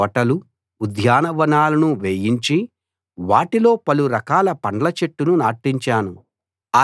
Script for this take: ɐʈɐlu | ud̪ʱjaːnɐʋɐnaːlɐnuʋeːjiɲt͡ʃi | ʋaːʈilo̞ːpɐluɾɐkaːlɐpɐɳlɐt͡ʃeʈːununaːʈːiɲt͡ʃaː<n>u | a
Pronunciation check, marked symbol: correct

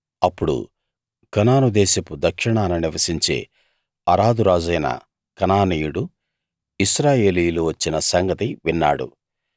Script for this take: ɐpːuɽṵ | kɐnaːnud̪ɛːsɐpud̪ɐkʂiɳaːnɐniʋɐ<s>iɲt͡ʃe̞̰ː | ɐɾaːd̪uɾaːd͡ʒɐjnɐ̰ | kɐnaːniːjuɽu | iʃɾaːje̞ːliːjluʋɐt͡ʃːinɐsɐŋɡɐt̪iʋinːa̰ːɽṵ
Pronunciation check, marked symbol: correct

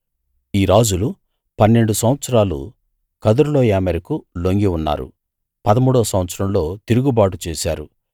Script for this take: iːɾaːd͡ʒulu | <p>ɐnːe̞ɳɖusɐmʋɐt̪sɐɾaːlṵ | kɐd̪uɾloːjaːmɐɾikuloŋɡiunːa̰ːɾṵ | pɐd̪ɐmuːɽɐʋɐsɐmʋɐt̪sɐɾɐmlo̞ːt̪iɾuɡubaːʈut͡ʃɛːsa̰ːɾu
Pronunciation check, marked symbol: correct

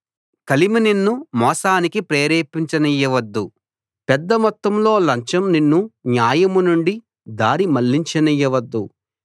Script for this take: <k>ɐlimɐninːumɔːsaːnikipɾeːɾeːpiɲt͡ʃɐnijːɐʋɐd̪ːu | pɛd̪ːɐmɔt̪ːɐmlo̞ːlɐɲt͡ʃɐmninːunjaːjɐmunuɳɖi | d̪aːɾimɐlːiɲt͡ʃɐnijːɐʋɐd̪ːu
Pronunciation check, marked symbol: correct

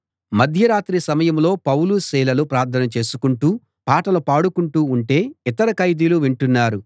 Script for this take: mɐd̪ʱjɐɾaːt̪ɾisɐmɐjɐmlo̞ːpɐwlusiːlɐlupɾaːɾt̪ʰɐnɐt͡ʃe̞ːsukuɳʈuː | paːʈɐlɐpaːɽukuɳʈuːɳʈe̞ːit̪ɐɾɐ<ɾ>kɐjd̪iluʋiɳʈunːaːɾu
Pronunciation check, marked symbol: incorrect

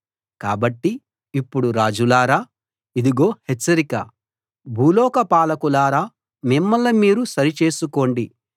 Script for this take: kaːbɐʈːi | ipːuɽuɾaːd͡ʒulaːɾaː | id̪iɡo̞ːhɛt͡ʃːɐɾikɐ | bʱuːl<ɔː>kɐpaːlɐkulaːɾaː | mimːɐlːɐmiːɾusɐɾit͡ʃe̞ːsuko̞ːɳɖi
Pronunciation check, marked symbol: correct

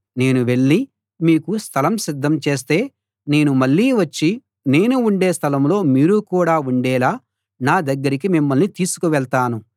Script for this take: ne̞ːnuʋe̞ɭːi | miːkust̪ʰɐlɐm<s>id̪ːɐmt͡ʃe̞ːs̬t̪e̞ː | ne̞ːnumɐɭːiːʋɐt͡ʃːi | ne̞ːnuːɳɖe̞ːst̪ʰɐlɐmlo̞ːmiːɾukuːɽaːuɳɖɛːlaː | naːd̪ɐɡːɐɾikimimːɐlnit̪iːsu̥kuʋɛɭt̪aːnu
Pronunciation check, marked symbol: correct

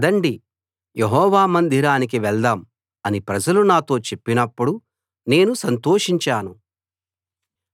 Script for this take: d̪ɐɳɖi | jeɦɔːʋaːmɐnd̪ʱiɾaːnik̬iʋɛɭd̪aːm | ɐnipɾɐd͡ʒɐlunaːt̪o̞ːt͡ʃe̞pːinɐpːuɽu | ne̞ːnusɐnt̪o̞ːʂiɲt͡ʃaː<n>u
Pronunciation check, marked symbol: correct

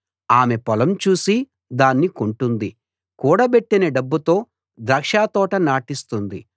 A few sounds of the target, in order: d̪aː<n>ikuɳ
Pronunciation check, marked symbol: incorrect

